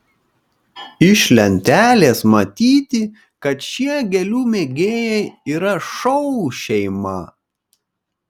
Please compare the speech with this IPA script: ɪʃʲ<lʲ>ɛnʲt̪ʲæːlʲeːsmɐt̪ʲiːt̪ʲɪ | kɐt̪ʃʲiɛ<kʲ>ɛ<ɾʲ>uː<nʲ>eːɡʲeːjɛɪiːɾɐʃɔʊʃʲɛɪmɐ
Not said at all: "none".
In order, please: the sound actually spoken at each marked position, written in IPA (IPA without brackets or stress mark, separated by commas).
lʲ, ɡʲ, lʲ, mʲ